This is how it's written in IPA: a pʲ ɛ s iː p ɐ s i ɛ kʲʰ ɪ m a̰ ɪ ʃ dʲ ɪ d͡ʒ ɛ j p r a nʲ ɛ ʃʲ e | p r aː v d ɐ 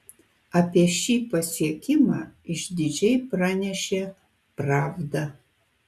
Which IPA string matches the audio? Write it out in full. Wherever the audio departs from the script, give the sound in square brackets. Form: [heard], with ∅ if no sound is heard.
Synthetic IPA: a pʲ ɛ [ʃ] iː p ɐ s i ɛ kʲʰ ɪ m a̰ ɪ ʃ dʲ ɪ d͡ʒ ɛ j p r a nʲ ɛ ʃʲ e | p r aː v d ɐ